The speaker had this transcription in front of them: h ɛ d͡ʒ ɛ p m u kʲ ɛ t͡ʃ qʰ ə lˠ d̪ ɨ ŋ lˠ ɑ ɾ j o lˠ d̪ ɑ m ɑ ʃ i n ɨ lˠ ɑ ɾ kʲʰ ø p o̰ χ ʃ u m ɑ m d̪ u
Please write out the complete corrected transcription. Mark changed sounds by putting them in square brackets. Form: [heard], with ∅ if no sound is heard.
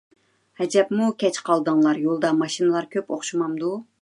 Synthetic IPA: h ɛ d͡ʒ ɛ p m u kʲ ɛ t͡ʃ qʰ [ɑ] lˠ d̪ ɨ ŋ lˠ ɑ ɾ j o lˠ d̪ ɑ m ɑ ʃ i n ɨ lˠ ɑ ɾ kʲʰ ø p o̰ χ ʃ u m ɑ m d̪ u